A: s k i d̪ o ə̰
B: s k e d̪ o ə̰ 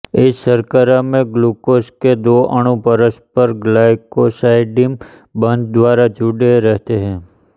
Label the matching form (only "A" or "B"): B